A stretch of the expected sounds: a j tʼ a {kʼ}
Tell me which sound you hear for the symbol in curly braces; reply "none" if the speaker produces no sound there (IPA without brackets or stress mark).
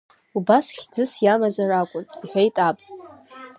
pʼ